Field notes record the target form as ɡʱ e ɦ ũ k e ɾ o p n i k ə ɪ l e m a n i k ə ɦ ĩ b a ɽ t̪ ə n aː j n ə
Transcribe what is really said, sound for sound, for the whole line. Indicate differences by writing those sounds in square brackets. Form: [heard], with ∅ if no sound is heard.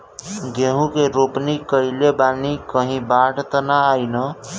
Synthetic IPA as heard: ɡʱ e ɦ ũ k e ɾ o p n i k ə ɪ l e [b] a n i k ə ɦ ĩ b a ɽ t̪ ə n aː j n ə